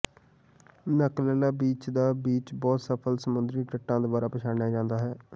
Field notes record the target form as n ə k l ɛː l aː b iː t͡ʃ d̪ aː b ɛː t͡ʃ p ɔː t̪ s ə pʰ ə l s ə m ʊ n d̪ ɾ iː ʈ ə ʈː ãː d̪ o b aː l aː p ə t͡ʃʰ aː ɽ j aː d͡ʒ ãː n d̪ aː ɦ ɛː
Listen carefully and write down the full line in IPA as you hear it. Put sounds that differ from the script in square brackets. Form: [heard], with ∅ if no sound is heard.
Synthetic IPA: n ə k l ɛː l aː b iː t͡ʃ d̪ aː b [iː] t͡ʃ [b] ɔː t̪ s ə pʰ ə l s ə m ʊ n d̪ ɾ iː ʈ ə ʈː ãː d̪ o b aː [ɾ] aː p ə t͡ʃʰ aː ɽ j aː d͡ʒ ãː n d̪ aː ɦ ɛː